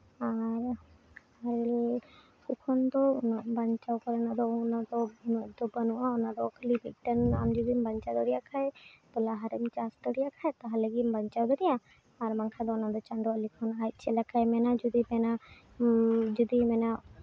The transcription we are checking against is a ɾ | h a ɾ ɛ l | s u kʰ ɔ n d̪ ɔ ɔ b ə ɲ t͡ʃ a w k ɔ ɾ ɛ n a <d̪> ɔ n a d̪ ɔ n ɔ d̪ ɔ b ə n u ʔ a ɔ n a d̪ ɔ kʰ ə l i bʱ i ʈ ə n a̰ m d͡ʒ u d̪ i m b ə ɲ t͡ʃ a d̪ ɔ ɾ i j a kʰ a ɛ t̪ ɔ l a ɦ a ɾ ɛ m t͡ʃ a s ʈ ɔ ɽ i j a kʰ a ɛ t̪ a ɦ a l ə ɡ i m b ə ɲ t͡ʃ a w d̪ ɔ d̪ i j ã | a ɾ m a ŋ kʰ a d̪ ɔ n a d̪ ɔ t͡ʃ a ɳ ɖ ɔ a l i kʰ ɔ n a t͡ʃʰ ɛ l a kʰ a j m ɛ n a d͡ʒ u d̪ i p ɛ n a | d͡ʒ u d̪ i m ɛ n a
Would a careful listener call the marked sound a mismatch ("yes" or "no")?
no